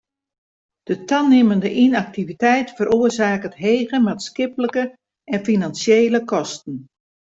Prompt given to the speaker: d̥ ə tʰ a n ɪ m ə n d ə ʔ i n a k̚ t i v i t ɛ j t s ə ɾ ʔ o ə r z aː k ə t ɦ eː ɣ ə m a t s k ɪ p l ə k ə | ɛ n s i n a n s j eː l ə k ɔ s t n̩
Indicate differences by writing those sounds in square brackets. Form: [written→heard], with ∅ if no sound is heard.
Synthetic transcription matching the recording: d̥ ə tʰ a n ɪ m ə n d ə ʔ i n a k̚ t i v i t ɛ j t [s→f] ə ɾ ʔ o ə r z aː k ə t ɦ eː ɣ ə m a t s k ɪ p l ə k ə | ɛ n [s→f] i n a n s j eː l ə k ɔ s t n̩